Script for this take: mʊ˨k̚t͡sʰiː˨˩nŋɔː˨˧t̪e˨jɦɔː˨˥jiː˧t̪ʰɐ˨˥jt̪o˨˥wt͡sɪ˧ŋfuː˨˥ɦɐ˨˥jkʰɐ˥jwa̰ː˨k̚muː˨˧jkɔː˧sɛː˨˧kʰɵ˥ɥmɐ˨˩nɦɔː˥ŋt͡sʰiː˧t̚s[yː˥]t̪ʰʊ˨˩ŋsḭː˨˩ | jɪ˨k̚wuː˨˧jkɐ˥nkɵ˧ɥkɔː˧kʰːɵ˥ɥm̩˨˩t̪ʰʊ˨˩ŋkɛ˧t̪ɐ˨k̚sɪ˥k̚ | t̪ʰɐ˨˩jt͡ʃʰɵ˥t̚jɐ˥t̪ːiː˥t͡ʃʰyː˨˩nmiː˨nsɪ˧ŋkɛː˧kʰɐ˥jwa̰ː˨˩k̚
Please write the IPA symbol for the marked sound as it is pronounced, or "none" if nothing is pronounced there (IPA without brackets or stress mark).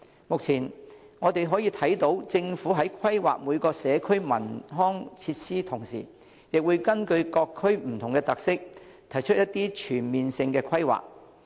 iː˥